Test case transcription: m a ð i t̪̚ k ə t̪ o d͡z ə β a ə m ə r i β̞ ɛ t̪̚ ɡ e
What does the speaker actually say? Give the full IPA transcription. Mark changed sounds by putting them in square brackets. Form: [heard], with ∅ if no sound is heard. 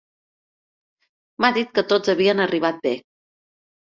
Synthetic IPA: m a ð i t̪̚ k ə t̪ o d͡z ə β [i] ə [n] ə r i β̞ [a] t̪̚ [b] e

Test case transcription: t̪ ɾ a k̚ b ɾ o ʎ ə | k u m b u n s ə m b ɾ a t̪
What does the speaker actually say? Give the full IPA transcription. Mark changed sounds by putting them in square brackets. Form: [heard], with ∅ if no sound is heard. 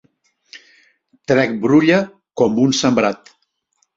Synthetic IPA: t̪ ɾ [ɛ] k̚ b ɾ [u] ʎ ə | k [ɔ] m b u n s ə m b ɾ a t̪

